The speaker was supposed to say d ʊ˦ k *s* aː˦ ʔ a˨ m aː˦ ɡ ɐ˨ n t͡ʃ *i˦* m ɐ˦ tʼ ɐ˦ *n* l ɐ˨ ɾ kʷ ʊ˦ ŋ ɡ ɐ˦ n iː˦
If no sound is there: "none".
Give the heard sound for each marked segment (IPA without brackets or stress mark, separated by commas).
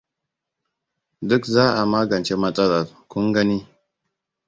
z, e˦, none